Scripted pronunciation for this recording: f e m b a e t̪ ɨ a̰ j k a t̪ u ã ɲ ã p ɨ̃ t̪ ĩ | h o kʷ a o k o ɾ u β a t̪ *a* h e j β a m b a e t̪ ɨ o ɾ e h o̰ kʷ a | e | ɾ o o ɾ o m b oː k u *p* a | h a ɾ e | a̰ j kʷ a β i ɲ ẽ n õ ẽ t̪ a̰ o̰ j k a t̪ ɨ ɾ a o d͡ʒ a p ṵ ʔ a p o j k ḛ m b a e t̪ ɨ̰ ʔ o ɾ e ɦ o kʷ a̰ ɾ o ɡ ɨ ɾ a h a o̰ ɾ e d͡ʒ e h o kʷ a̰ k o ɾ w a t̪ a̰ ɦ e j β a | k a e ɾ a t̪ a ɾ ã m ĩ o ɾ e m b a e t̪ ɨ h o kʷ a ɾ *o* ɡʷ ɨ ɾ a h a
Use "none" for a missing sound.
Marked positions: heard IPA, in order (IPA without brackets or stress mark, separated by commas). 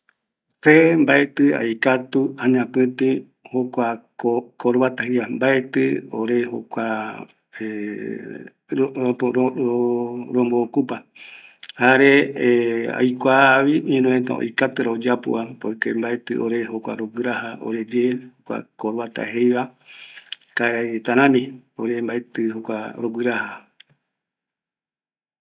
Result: a, p, o